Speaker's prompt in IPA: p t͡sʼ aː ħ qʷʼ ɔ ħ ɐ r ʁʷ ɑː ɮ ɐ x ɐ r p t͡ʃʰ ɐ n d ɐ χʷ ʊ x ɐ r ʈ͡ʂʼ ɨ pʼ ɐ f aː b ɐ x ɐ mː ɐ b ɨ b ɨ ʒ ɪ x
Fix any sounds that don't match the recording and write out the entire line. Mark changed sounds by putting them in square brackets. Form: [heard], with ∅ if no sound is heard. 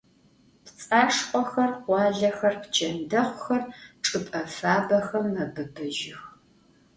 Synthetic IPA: p t͡sʼ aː [ʂ] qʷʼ ɔ [x] ɐ r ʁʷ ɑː ɮ ɐ x ɐ r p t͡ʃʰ ɐ n d ɐ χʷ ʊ x ɐ r ʈ͡ʂʼ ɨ pʼ ɐ f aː b ɐ x ɐ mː ɐ b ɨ b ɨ ʒ ɪ x

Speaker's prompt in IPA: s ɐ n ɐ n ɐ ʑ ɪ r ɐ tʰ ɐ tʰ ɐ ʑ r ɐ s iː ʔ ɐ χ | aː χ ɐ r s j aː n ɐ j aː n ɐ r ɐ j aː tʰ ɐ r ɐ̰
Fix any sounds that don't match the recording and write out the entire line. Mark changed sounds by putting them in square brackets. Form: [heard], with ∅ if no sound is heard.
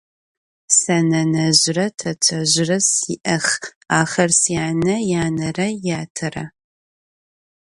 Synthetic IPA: s ɐ n ɐ n ɐ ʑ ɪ r ɐ tʰ ɐ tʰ ɐ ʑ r ɐ s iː ʔ ɐ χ | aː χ ɐ r s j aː n ɐ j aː n ɐ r ɐ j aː tʰ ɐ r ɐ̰

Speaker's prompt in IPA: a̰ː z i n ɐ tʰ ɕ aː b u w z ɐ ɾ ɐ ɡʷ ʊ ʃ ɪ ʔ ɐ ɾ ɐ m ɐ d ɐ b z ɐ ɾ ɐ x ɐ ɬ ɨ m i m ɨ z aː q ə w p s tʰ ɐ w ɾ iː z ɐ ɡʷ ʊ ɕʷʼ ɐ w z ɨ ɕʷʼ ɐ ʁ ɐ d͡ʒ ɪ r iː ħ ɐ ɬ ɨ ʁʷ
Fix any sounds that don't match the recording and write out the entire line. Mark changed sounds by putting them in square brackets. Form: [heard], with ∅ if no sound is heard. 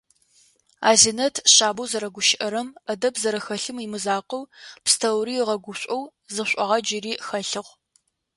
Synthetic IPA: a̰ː z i n ɐ tʰ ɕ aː b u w z ɐ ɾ ɐ ɡʷ ʊ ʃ ɪ ʔ ɐ ɾ ɐ m ɐ d ɐ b z ɐ ɾ ɐ x ɐ ɬ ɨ m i m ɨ z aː q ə w p s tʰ ɐ w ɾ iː [ʁ] ɐ ɡʷ ʊ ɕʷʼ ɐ w z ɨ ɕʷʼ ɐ ʁ ɐ d͡ʒ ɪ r iː [x] ɐ ɬ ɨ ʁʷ

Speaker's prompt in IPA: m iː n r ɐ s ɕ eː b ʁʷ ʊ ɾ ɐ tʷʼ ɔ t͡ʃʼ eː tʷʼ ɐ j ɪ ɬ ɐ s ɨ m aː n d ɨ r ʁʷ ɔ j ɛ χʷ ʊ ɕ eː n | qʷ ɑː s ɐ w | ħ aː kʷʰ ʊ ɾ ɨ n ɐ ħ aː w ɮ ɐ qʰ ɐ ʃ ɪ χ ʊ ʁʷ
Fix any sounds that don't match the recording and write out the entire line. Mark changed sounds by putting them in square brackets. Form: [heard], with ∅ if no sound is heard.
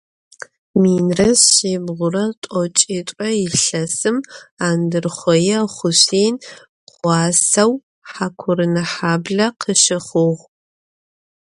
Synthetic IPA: m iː n r ɐ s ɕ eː b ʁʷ ʊ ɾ ɐ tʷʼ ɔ t͡ʃʼ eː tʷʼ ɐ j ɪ ɬ ɐ s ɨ m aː n d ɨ r [χʷ] ɔ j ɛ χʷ ʊ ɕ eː n | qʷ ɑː s ɐ w | ħ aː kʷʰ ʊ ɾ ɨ n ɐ ħ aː [b] ɮ ɐ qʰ [ə] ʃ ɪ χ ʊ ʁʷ

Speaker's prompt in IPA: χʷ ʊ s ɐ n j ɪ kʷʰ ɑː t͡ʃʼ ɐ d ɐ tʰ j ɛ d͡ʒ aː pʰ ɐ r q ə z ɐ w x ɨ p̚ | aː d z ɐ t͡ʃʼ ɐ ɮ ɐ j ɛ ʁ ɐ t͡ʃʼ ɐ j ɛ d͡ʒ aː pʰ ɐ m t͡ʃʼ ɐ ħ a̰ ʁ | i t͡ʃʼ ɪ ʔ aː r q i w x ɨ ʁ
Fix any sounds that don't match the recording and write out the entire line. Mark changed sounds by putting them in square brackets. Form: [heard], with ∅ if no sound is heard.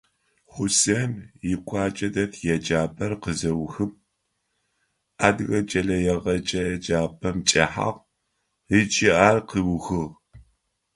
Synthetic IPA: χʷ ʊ s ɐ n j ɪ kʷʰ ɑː t͡ʃʼ ɐ d ɐ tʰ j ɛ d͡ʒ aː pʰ ɐ r q ə z ɐ w x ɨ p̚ | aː d [ɣ] ɐ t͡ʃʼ ɐ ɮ ɐ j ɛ ʁ ɐ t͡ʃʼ ɐ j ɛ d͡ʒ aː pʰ ɐ m t͡ʃʼ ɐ ħ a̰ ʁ | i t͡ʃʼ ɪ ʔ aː r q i w x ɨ ʁ

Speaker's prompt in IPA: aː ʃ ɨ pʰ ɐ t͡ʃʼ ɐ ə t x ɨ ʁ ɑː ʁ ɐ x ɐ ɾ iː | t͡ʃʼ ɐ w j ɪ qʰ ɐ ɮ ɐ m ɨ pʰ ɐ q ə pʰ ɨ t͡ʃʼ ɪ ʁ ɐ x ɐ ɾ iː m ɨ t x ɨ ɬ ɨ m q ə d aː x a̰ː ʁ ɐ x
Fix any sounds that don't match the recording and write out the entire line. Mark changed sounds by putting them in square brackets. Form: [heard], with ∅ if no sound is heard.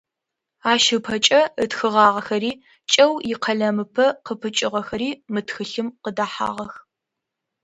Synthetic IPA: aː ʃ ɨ pʰ ɐ t͡ʃʼ ɐ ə t x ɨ ʁ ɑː ʁ ɐ x ɐ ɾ iː | t͡ʃʼ ɐ w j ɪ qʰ ɐ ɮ ɐ m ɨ pʰ ɐ q ə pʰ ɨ t͡ʃʼ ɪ ʁ ɐ x ɐ ɾ iː m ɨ t x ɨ ɬ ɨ m q ə d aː [ħ] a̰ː ʁ ɐ x

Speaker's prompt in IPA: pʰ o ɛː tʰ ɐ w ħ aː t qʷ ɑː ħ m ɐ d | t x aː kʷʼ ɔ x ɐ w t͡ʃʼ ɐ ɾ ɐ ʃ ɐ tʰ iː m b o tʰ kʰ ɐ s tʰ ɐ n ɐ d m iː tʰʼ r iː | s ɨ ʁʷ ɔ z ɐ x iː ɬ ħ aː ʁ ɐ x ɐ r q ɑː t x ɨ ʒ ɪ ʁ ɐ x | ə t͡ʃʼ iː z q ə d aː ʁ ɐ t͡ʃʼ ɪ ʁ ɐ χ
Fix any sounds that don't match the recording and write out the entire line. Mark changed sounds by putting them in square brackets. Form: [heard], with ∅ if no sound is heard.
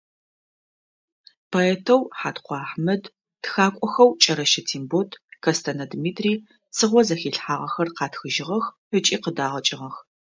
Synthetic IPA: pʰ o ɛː tʰ ɐ w ħ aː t qʷ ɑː ħ m ɐ d | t x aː kʷʼ ɔ x ɐ w t͡ʃʼ ɐ ɾ ɐ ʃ ɐ tʰ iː m b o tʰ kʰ ɐ s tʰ ɐ n ɐ d m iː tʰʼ r iː | s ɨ ʁʷ ɔ z ɐ x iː ɬ ħ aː ʁ ɐ x ɐ r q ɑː t x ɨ ʒ ɪ ʁ ɐ x | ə t͡ʃʼ iː [∅] q ə d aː ʁ ɐ t͡ʃʼ ɪ ʁ ɐ [x]

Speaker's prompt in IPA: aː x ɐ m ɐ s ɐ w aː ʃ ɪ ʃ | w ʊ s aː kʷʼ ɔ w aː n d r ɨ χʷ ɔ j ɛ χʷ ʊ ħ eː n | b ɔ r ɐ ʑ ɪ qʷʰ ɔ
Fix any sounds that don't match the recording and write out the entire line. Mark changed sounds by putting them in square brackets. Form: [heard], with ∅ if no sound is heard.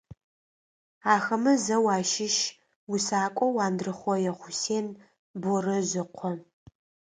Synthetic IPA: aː x ɐ m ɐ [z] ɐ w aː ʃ ɪ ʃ | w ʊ s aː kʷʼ ɔ w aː n d r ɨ χʷ ɔ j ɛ χʷ ʊ [s] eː n | b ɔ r ɐ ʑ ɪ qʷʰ ɔ

